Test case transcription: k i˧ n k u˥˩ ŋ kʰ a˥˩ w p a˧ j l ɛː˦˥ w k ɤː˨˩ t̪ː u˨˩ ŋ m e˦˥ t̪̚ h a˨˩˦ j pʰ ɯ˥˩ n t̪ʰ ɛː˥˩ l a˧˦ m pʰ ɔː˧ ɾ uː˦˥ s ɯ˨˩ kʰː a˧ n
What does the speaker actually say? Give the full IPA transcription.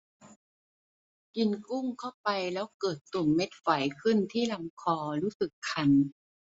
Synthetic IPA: k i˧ n k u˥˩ ŋ kʰ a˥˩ w p a˧ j l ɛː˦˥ w k ɤː˨˩ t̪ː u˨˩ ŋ m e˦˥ t̪̚ f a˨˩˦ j kʰ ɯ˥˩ n t̪ʰ iː˥˩ l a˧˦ m kʰ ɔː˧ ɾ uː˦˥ s ɯ˨˩ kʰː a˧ n